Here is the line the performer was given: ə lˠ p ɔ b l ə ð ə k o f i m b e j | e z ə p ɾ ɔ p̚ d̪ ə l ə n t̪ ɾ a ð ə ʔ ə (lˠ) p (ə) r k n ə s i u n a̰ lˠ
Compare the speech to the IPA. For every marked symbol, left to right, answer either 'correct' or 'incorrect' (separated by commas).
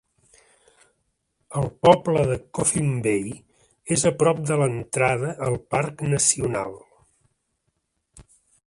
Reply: correct, incorrect